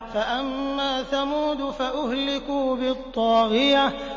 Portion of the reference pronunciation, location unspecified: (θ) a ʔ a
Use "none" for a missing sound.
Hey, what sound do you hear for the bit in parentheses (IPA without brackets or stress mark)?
f